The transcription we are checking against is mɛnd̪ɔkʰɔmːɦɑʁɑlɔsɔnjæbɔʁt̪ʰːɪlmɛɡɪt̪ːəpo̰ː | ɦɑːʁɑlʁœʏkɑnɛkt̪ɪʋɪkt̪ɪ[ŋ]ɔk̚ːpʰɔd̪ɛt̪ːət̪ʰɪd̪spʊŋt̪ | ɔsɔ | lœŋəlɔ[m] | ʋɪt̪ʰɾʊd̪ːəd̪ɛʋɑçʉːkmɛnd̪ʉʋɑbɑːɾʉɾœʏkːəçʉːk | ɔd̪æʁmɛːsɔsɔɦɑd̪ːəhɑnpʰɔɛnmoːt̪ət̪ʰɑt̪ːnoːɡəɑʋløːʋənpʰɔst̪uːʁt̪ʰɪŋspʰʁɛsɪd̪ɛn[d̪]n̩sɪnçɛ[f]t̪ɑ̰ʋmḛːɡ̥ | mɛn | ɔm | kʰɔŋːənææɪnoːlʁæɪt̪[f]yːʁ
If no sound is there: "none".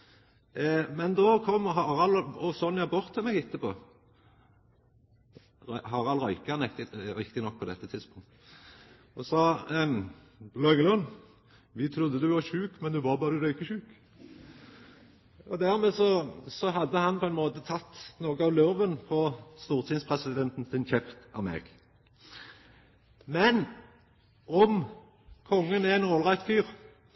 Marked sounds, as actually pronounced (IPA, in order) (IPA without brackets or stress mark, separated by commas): n, n, t̪, f, f